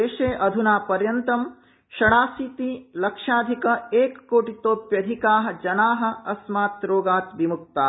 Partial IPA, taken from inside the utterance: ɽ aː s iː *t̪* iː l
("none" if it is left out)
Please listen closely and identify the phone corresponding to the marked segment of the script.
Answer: t̪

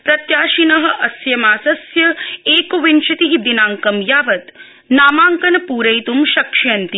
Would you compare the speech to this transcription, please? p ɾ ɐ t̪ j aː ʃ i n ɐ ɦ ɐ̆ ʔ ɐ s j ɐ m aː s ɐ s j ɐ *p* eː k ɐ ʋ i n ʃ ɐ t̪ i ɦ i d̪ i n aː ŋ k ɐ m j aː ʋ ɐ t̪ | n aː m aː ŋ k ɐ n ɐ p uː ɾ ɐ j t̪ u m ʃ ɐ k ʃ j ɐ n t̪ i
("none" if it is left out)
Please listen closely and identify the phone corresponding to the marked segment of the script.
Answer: none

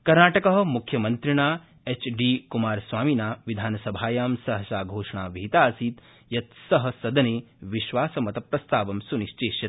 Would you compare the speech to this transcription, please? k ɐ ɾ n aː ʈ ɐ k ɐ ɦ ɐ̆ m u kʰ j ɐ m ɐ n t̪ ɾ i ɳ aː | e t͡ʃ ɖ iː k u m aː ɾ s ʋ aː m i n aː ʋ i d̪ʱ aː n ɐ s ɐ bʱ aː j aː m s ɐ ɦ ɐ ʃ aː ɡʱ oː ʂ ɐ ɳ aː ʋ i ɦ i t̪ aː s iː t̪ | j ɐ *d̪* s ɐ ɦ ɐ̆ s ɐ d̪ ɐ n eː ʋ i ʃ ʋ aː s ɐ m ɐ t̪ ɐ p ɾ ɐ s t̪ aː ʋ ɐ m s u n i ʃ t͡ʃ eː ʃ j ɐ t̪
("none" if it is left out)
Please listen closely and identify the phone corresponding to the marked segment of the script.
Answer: t̪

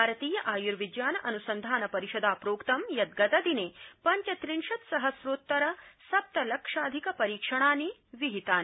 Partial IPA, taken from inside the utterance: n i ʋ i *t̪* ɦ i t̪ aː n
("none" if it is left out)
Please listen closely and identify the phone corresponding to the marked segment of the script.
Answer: none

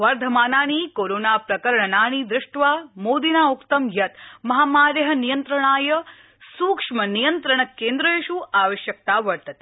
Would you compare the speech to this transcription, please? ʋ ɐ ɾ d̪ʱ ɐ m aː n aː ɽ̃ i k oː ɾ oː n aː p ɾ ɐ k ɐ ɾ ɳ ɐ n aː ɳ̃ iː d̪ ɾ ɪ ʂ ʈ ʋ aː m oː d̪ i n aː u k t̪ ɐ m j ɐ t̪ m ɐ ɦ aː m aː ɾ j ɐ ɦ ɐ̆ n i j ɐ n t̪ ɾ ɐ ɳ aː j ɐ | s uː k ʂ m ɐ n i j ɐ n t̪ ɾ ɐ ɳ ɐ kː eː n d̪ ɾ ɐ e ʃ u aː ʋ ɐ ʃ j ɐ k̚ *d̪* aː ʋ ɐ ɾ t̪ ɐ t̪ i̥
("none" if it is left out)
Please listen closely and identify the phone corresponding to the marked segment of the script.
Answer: t̪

